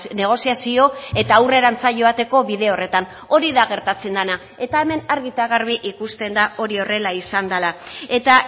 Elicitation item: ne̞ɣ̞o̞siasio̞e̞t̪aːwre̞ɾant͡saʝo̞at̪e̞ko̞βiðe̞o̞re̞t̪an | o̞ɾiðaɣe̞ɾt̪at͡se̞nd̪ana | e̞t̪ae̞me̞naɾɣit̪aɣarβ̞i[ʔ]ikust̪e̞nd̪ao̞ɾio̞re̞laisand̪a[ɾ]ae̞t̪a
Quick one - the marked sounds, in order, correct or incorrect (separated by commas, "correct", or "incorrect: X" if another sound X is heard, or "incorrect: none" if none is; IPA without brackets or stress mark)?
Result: correct, incorrect: l